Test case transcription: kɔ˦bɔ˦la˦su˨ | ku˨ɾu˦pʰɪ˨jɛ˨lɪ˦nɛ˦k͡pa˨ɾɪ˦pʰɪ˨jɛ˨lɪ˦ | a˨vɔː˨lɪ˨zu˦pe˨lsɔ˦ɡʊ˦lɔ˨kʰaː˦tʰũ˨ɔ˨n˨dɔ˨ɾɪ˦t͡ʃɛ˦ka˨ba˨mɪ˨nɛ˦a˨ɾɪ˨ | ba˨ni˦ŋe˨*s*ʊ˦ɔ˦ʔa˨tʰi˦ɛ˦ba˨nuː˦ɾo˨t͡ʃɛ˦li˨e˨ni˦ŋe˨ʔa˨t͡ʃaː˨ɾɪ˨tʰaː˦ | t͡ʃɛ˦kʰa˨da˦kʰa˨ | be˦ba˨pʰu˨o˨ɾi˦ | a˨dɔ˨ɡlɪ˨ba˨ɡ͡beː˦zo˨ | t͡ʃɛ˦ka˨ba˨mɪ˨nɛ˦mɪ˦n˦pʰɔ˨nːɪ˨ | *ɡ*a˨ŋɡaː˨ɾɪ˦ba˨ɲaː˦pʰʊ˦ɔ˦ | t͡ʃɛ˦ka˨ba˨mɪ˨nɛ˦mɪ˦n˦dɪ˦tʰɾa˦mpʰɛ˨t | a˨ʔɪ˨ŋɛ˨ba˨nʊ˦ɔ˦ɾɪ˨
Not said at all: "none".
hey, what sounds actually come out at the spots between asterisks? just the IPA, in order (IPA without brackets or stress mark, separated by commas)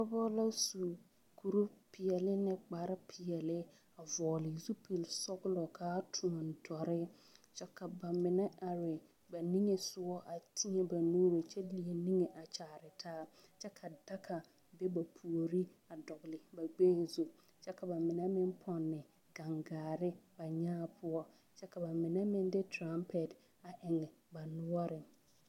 s, ɡ